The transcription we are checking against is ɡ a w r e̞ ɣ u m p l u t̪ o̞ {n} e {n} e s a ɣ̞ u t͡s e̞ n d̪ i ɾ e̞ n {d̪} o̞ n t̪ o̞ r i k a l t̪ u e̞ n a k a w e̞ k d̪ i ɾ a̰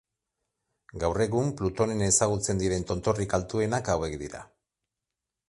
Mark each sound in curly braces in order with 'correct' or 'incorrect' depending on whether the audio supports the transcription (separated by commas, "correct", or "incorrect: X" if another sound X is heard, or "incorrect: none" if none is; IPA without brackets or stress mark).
correct, correct, incorrect: t̪